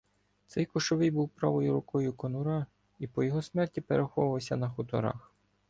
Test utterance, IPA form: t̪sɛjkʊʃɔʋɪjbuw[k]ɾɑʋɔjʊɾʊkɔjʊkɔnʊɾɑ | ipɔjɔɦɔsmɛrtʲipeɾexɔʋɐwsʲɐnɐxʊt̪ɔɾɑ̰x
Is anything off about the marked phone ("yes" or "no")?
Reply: yes